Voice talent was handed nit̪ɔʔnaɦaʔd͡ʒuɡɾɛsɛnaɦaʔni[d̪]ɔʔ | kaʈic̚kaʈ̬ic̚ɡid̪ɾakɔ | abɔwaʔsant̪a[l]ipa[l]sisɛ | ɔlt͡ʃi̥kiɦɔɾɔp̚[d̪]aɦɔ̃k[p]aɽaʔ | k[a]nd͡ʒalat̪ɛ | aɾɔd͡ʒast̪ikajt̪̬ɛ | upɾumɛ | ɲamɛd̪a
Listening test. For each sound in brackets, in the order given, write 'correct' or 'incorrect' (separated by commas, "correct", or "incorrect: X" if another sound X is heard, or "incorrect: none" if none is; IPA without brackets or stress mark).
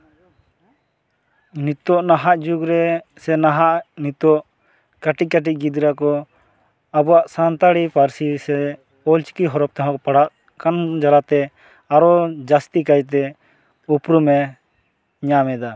incorrect: t̪, incorrect: ɽ, incorrect: ɾ, incorrect: t̪, correct, correct